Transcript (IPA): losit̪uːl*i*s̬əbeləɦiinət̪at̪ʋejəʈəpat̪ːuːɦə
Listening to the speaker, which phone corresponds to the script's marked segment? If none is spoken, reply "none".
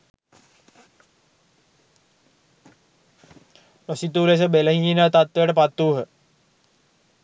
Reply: e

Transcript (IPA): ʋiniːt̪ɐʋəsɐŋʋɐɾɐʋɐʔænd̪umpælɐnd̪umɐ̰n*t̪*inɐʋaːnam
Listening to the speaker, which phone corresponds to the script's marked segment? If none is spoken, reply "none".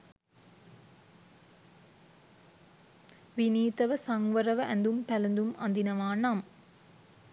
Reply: d̪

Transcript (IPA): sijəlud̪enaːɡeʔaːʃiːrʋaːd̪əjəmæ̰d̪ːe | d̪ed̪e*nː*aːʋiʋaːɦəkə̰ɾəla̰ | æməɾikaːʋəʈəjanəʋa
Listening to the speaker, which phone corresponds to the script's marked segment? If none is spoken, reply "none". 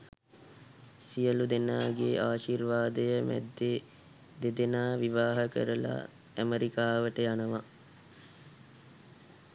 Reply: n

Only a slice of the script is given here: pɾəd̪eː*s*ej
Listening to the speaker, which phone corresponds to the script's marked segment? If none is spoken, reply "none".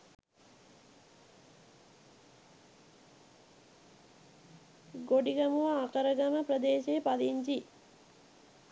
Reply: ʃ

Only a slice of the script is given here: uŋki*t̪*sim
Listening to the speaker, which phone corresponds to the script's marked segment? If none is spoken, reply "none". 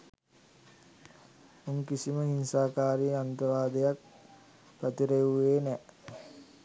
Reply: none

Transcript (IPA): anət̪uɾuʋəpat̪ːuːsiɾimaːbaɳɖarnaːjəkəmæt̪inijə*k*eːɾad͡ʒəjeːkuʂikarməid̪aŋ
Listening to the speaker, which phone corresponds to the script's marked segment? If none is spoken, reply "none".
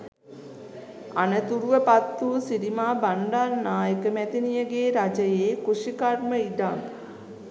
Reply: ɡ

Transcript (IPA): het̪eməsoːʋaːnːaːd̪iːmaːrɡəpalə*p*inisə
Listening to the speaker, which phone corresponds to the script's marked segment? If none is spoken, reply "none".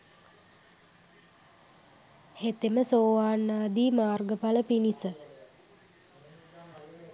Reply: p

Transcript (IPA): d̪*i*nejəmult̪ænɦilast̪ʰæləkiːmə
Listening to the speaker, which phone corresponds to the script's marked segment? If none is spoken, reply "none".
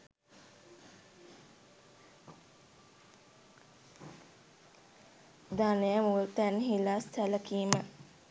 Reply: a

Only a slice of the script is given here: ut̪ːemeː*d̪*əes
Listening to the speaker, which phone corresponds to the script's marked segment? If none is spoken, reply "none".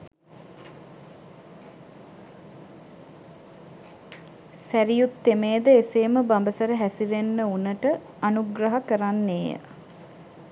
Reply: d̪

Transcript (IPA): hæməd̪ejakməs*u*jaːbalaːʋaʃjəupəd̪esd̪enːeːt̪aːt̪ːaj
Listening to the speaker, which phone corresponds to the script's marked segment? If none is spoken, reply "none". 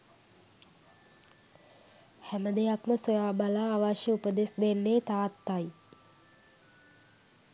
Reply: o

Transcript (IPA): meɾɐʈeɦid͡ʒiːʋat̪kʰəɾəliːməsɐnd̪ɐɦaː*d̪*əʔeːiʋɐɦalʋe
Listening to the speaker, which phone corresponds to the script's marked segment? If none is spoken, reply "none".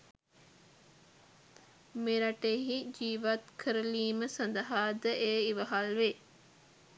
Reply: d̪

